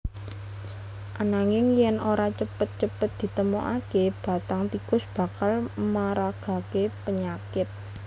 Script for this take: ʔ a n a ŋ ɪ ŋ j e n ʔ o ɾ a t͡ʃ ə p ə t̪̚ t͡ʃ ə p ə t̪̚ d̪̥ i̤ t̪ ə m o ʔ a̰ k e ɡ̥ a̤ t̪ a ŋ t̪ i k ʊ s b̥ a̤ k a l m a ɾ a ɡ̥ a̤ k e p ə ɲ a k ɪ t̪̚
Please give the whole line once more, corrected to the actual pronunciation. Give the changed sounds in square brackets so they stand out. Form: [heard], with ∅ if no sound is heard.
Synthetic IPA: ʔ a n a ŋ ɪ ŋ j [ɛ] n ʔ o ɾ a t͡ʃ ə p ə t̪̚ t͡ʃ ə p ə t̪̚ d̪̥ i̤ t̪ ə m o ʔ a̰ k e [b̥] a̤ t̪ a ŋ t̪ i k ʊ s b̥ a̤ k a l m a ɾ a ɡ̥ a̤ k e p ə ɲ a k ɪ t̪̚